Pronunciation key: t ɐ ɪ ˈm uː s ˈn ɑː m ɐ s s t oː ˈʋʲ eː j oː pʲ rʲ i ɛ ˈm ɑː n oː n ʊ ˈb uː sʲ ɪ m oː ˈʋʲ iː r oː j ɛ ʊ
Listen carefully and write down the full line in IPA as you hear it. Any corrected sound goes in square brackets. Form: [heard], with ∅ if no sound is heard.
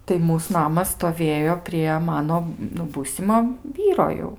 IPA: t ɐ ɪ ˈm uː s ˈn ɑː m ɐ s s t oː ˈʋʲ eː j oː pʲ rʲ i ɛ ˈm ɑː n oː n ʊ ˈb uː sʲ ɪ m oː ˈʋʲ iː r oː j ɛ ʊ